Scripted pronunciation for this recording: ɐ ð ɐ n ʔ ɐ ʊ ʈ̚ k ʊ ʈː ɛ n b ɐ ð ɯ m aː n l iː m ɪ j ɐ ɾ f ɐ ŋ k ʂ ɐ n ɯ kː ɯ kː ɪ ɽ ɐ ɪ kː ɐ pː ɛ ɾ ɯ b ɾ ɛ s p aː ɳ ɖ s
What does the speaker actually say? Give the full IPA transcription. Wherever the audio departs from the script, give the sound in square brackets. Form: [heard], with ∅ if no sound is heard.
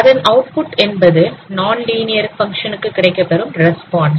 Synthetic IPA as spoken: ɐ ð ɐ n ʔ ɐ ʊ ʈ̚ [p] ʊ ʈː ɛ n b ɐ ð ɯ [n] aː n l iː [n] ɪ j ɐ ɾ f ɐ ŋ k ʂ ɐ n ɯ kː ɯ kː ɪ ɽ ɐ ɪ kː ɐ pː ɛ ɾ ɯ [m] ɾ ɛ s p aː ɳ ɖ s